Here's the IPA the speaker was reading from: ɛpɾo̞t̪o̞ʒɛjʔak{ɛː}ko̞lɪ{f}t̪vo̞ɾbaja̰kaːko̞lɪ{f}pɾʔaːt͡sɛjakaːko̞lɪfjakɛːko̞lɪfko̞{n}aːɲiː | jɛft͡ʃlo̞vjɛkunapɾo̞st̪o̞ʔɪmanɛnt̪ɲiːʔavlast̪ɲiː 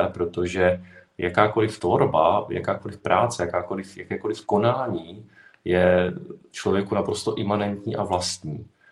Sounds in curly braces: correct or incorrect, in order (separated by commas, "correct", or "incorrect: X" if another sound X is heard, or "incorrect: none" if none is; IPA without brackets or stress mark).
incorrect: aː, correct, correct, correct